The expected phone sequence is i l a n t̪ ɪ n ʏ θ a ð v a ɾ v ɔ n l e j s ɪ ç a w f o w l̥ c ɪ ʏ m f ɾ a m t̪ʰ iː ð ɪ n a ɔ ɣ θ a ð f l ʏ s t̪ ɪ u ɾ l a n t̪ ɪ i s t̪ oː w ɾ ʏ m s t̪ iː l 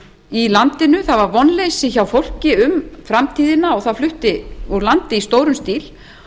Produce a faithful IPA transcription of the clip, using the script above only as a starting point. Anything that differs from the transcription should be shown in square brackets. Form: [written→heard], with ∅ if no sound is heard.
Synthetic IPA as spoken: i l a n t̪ ɪ n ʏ θ a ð v a ɾ v ɔ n l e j s ɪ ç a w f o w l̥ c ɪ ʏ m f ɾ a m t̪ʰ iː ð ɪ n a ɔ ɣ θ a ð f l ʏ [s→h] t̪ ɪ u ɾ l a n t̪ ɪ i s t̪ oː w ɾ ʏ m s t̪ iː l